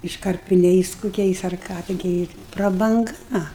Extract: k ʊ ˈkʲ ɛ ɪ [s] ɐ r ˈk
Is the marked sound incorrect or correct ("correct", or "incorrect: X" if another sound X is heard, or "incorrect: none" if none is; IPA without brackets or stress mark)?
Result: correct